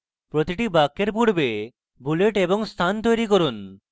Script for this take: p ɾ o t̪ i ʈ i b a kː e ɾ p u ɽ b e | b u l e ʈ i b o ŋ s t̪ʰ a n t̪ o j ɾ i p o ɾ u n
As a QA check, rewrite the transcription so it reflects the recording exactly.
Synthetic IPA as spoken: p ɾ o t̪ i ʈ i b a kː e ɾ p u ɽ b e | b u l e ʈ e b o ŋ s t̪ʰ a n t̪ o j ɾ i k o ɾ u n

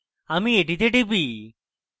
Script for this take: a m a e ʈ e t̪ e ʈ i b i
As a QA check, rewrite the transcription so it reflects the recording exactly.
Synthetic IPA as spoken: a m i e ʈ i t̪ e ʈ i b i

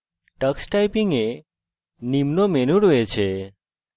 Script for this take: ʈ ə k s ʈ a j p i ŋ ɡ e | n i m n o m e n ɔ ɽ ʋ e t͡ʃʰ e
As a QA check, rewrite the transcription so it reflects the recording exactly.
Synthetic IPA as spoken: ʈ ə k s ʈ a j p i ŋ ɡ e | n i m n o m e n u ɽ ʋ e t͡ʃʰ e

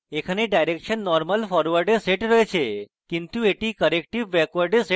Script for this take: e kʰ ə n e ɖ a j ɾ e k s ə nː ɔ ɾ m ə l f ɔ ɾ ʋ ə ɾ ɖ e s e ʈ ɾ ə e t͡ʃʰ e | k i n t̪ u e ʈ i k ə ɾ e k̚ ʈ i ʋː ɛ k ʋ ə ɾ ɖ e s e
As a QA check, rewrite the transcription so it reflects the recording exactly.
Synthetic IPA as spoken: e kʰ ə n e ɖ a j ɾ e k ʃ ə nː ɔ ɾ m ə l f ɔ ɾ ʋ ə ɾ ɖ e s e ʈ ɾ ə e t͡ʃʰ e | k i n t̪ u e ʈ i k ə ɾ e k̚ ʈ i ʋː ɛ k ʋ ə ɾ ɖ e s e

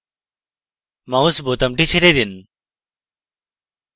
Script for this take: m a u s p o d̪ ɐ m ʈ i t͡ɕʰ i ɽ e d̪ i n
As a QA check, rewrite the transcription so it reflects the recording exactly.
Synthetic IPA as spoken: m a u s b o t̪ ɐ m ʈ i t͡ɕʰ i ɾ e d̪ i n

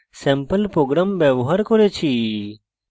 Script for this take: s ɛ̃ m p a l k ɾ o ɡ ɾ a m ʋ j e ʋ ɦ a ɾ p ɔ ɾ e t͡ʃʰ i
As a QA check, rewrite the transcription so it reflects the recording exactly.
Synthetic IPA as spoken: s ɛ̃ m p ə l p ɾ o ɡ ɾ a m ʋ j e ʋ ɦ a ɾ k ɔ ɾ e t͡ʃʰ i

